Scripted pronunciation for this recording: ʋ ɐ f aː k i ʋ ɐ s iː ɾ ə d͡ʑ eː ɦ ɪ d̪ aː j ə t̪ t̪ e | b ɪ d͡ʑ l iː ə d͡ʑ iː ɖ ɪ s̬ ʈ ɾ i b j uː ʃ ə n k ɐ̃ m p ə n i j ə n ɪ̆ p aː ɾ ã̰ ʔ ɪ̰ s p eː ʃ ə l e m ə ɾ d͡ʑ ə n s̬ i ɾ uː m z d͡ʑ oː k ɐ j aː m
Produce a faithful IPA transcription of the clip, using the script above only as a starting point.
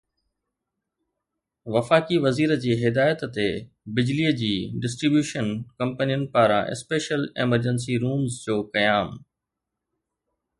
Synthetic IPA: ʋ ɐ f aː k i ʋ ɐ z iː ɾ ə d͡ʑ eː ɦ ɪ d̪ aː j ə t̪ t̪ e | b ɪ d͡ʑ l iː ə d͡ʑ iː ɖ ɪ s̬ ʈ ɾ i b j uː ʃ ə n k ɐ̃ m p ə n i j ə n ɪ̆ p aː ɾ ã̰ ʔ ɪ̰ s p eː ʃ ə l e m ə ɾ d͡ʑ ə n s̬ i ɾ uː m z d͡ʑ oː k ɐ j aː m